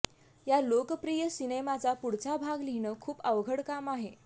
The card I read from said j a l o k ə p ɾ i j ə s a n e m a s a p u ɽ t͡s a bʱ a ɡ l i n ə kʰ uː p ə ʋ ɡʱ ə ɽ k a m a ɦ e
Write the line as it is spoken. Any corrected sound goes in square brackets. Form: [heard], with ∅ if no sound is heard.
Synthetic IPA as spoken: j a l o k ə p ɾ i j ə s [i] n e m a [t͡s] a p u ɽ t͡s a bʱ a ɡ l i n ə kʰ uː p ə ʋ ɡʱ ə ɽ k a m a ɦ e